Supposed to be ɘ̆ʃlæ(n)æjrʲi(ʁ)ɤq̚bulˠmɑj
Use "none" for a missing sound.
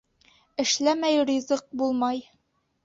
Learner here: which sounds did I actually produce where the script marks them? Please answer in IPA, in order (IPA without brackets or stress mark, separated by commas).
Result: m, z